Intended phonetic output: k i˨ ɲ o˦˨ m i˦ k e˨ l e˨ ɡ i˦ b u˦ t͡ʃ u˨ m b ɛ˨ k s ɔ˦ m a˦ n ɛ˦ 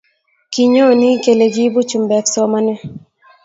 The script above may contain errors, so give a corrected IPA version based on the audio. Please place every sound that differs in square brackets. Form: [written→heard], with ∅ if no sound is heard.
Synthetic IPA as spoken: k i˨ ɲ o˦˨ [m→n] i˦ k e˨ l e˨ ɡ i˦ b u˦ t͡ʃ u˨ m b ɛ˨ k s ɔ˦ m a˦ n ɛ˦